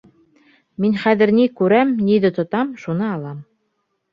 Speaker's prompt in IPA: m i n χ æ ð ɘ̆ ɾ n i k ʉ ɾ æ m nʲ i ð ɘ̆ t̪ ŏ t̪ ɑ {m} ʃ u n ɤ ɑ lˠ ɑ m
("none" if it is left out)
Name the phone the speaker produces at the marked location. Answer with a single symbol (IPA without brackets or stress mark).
m